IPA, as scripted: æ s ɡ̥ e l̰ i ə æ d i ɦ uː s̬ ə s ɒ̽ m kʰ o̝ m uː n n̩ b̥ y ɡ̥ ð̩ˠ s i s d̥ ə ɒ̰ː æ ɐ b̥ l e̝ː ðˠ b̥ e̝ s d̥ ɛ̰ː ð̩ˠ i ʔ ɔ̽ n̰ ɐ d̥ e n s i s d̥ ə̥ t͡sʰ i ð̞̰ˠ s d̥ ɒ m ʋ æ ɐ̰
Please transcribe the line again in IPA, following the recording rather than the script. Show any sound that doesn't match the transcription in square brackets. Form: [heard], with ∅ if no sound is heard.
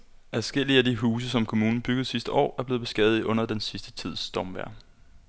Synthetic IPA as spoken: æ s ɡ̥ e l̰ i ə æ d i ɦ uː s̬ ə s ɒ̽ m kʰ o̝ m uː n n̩ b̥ y ɡ̥ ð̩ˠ s i s d̥ ə ɒ̰ː æ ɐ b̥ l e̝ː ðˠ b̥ e̝ s [ɡ̥] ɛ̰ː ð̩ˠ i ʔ ɔ̽ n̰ ɐ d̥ e n s i s d̥ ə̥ t͡sʰ i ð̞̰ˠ s d̥ ɒ m ʋ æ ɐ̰